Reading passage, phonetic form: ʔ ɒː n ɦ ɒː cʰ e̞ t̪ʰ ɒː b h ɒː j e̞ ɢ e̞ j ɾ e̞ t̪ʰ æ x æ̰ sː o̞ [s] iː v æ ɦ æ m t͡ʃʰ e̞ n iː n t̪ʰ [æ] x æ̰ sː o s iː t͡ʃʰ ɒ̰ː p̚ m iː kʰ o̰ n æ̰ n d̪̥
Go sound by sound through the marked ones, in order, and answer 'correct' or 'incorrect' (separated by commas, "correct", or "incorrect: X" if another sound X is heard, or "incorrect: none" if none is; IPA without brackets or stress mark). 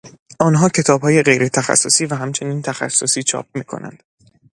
correct, correct